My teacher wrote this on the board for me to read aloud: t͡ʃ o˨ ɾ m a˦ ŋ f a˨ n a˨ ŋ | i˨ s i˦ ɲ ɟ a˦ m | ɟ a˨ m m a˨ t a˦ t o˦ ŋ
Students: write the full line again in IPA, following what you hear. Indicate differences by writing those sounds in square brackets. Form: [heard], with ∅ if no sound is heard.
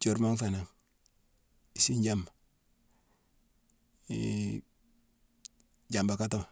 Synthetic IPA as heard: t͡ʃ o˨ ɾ m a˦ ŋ f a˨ n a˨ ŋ | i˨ s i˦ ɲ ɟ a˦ m | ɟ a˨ m [b] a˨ [k] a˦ t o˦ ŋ